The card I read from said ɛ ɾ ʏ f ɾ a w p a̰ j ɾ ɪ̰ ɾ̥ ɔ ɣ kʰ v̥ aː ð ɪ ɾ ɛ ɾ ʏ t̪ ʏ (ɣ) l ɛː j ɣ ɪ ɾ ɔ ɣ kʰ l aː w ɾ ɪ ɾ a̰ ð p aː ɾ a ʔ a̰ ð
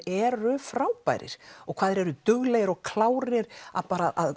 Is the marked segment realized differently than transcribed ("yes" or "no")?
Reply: no